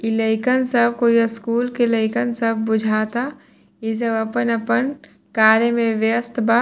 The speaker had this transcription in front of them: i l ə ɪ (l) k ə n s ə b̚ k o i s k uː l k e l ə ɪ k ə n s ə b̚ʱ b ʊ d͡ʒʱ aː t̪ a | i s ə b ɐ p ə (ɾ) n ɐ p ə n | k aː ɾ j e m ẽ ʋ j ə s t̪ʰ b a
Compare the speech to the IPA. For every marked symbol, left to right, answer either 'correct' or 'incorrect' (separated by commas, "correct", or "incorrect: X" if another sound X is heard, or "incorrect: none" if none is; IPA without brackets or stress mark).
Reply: incorrect: none, incorrect: none